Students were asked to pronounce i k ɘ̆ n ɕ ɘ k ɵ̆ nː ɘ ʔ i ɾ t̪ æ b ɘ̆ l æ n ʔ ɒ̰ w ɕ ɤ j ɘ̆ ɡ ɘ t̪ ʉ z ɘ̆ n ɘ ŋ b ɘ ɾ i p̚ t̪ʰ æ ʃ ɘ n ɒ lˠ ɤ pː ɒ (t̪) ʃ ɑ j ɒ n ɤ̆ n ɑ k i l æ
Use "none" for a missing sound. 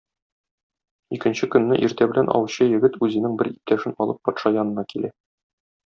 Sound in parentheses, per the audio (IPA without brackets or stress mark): t̪